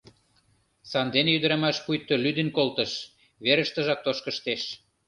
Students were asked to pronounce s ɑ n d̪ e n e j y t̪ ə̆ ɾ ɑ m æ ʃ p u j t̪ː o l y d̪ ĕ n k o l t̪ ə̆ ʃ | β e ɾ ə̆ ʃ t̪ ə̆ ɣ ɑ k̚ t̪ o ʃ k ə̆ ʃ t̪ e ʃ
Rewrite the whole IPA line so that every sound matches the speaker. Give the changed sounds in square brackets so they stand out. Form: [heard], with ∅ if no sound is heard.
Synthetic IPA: s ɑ n d̪ e n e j y [d̪] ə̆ ɾ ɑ m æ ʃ p u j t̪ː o l y d̪ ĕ n k o l t̪ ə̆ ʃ | β e ɾ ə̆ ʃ t̪ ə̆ [ʒ] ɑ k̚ t̪ o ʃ k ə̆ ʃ t̪ e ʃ